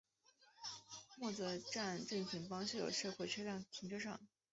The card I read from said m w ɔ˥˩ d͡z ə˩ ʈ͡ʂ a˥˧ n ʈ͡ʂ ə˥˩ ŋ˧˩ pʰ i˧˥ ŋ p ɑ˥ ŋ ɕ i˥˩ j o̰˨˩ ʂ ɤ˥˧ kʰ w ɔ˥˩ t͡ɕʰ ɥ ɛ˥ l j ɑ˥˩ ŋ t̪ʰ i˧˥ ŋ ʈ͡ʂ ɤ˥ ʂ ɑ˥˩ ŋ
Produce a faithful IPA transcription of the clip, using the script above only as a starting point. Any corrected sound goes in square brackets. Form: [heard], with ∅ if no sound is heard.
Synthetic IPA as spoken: m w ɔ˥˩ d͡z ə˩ ʈ͡ʂ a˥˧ n ʈ͡ʂ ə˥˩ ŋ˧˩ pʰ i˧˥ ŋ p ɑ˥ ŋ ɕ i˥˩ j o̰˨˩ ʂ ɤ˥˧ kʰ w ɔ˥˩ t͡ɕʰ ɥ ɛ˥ l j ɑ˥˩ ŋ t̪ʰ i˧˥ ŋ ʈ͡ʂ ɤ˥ ʂ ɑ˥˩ ŋ